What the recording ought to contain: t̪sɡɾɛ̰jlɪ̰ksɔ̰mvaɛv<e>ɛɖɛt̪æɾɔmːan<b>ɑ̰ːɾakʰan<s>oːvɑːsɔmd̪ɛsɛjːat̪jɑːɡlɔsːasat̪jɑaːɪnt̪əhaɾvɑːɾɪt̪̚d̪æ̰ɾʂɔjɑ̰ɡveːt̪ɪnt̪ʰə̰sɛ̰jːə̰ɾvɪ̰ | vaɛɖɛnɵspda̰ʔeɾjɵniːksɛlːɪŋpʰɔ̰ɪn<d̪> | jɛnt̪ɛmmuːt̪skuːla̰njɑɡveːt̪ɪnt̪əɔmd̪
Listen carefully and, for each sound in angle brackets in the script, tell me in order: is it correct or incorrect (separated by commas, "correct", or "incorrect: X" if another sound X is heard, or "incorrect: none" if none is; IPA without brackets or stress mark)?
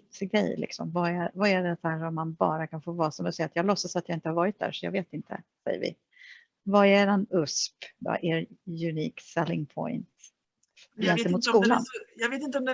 incorrect: a, correct, incorrect: f, incorrect: t̪